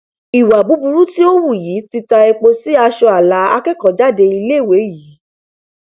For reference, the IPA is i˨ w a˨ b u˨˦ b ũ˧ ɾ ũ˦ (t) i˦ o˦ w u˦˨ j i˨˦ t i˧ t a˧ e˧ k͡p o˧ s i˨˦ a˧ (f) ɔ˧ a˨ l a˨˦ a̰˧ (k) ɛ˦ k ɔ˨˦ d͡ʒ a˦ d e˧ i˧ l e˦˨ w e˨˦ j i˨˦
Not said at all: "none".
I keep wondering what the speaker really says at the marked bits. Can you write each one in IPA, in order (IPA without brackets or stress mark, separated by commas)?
t, ʃ, k